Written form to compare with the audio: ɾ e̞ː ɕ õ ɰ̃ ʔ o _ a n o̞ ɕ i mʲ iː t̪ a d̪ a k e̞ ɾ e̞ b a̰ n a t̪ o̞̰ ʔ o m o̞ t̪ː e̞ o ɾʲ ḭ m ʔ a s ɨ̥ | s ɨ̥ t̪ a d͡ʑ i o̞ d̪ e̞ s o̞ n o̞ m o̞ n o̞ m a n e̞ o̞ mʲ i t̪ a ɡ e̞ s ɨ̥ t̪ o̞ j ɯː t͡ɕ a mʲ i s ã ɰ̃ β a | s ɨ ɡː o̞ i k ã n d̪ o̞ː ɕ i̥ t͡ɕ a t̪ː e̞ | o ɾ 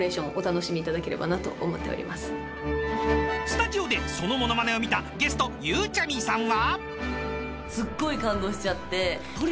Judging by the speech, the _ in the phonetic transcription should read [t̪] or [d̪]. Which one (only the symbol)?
t̪